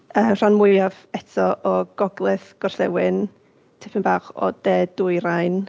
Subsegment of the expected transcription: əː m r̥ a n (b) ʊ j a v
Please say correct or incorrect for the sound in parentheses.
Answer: incorrect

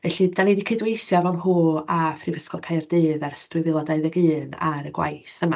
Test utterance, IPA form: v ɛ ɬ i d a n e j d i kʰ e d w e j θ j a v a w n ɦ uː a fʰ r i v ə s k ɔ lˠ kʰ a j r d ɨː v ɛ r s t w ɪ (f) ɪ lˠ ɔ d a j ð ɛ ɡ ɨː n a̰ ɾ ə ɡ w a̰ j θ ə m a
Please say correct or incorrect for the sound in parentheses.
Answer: incorrect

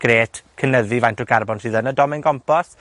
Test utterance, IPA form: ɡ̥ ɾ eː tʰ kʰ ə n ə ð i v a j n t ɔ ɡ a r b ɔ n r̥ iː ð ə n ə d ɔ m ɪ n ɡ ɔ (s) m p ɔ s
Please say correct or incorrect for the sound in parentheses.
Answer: incorrect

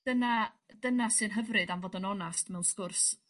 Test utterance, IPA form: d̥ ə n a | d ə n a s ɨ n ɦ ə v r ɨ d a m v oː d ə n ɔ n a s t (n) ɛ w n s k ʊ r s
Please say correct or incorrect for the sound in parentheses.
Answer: incorrect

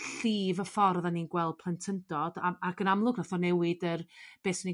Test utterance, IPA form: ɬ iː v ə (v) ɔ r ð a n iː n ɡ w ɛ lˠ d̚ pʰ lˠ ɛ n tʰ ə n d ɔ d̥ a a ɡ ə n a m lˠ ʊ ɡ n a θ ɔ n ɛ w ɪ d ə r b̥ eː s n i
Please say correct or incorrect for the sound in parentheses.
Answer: incorrect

